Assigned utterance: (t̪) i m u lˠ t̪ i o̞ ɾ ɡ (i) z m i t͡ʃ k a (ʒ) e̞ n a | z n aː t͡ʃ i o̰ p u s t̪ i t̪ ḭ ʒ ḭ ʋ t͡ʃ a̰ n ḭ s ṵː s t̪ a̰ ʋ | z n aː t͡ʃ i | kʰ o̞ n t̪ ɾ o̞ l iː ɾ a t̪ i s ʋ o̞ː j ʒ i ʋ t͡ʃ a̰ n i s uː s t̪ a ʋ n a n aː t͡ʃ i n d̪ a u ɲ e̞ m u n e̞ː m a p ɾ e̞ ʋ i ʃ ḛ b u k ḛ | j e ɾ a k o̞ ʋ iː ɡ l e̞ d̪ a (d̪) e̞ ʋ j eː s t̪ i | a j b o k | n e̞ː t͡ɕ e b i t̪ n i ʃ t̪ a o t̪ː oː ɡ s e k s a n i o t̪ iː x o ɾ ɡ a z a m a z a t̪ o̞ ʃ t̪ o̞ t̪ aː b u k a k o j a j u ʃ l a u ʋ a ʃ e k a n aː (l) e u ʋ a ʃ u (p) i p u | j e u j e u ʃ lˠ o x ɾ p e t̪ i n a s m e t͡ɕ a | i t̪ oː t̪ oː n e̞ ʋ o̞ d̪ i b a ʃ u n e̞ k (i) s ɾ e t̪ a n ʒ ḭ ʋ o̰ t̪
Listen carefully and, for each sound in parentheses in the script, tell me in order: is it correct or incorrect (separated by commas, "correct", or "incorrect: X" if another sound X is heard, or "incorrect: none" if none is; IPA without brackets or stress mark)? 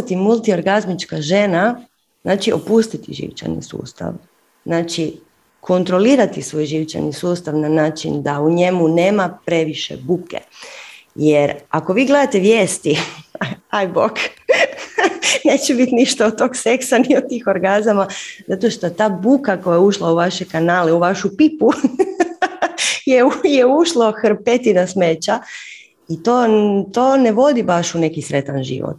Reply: correct, incorrect: a, correct, incorrect: t̪, correct, correct, correct